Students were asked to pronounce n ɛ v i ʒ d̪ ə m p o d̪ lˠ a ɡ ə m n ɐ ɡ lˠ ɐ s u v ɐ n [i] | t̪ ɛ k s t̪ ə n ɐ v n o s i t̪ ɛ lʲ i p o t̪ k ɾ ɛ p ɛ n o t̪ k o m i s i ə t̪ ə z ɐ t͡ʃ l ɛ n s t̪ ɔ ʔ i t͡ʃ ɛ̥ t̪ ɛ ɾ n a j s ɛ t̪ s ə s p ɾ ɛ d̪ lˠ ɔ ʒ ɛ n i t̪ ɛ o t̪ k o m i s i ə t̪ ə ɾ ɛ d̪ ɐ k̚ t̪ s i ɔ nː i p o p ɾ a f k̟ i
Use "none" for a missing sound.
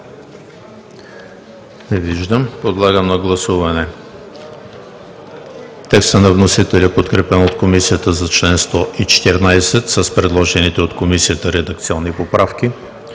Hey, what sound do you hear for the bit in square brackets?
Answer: ɛ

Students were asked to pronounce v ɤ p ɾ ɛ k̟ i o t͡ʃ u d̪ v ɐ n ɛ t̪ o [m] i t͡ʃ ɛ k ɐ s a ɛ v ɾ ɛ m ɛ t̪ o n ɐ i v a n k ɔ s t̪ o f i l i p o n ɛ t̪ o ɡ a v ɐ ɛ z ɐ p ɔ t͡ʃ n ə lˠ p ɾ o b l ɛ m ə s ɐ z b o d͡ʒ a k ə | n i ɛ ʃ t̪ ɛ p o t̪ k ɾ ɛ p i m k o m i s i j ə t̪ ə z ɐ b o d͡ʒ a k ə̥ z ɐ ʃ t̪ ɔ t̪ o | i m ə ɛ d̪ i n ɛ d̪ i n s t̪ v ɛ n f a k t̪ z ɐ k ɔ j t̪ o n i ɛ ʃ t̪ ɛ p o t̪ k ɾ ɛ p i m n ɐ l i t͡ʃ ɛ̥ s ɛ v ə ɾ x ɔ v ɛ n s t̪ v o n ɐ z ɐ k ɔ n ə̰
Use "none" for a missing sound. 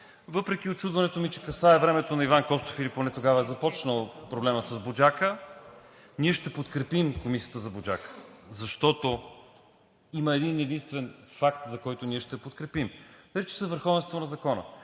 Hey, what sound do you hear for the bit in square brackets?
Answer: m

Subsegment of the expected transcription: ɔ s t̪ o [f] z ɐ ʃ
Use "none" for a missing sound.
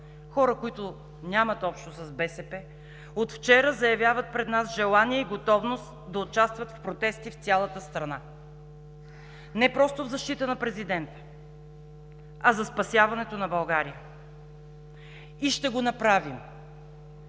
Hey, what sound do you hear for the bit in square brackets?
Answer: v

